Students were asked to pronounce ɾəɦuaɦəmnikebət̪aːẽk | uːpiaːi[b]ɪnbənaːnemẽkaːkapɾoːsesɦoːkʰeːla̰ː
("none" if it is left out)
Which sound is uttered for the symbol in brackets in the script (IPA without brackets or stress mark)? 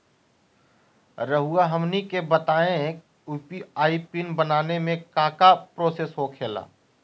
p